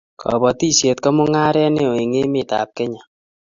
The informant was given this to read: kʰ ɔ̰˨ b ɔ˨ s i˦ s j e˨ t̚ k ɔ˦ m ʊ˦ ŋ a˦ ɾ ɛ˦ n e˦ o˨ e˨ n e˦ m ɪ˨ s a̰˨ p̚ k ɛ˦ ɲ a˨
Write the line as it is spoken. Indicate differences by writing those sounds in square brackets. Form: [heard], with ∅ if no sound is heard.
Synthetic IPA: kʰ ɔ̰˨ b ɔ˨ [t] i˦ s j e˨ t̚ k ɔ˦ m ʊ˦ ŋ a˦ ɾ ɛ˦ n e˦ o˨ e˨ [ŋ] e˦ m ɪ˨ [t] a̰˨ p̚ k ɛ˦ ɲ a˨